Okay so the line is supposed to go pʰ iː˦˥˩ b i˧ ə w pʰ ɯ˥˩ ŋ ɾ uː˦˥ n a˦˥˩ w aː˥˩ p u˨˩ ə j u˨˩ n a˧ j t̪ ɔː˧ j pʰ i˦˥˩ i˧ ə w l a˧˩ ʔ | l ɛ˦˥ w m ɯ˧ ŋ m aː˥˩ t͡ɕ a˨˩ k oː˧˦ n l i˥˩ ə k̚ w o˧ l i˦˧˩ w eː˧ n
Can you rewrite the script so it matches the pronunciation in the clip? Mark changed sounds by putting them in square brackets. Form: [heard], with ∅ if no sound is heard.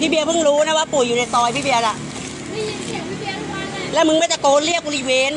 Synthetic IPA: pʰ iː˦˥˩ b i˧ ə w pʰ ɯ˥˩ ŋ ɾ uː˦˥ n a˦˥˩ w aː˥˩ p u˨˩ ə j [uː˨˩] n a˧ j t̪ ɔː˧ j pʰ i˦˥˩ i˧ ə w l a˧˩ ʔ | l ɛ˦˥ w m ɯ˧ ŋ m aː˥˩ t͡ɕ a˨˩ k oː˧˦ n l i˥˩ ə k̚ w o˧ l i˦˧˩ w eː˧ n